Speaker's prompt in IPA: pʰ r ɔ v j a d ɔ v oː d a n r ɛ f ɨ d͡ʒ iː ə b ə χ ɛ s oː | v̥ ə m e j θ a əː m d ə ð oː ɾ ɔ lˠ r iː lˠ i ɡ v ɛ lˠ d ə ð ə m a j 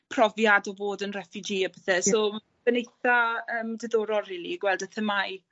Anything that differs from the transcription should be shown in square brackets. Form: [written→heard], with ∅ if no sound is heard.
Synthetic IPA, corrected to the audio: pʰ r ɔ v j a d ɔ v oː d [a→ə] n r ɛ f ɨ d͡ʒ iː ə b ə [χ→θ] ɛ s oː | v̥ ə [m→n] e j θ a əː m d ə ð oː ɾ ɔ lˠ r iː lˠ i ɡ [v→w] ɛ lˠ d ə [ð→θ] ə m a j